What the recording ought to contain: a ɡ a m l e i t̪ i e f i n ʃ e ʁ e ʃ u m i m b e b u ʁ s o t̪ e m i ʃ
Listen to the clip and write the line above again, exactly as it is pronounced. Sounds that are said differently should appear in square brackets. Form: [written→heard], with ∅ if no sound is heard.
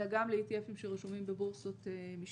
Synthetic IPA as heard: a ɡ a m l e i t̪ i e f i [n→m] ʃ e ʁ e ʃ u m i m b e b u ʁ s o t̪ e m i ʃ